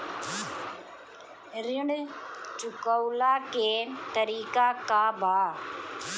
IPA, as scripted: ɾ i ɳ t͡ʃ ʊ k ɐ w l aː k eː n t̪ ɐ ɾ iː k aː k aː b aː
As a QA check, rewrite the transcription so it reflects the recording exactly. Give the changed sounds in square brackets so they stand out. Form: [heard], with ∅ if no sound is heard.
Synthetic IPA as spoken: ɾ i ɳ t͡ʃ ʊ k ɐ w l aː k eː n t̪ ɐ ɾ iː k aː k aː b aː

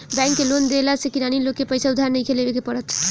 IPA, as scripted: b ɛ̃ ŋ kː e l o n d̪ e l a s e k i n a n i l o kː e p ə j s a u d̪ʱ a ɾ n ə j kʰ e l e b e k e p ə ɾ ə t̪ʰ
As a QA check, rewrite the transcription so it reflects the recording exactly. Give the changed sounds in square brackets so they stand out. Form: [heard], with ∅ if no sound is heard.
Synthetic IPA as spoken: b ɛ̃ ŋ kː e l o n d̪ e l a s e k i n a n i l o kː e p ə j s a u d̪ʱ a ɾ n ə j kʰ e l e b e k e p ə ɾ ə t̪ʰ

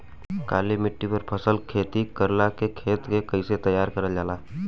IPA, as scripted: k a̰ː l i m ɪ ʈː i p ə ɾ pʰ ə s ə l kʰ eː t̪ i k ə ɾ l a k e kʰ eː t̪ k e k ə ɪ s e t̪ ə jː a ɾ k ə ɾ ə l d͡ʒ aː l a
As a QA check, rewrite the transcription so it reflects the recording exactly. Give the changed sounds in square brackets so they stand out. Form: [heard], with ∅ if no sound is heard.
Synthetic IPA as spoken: k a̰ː l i m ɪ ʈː i p ə ɾ pʰ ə s ə l kʰ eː t̪ i k ə ɾ l a k e kʰ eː t̪ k e k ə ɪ s e t̪ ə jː a ɾ k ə ɾ ə l d͡ʒ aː l a

